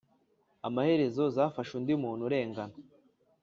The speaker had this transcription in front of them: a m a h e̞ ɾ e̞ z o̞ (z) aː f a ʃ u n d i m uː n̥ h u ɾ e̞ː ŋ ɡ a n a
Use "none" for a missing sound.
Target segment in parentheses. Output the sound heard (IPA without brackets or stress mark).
z